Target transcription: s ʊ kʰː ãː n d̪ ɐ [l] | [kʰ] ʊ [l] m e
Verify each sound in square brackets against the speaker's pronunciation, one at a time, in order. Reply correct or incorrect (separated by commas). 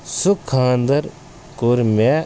incorrect, incorrect, incorrect